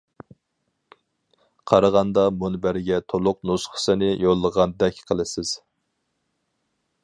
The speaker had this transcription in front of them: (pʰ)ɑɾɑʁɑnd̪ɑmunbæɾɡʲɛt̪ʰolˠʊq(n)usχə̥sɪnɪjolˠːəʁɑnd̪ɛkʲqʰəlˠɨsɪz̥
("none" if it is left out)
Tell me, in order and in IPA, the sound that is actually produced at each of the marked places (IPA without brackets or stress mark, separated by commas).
qʰ, n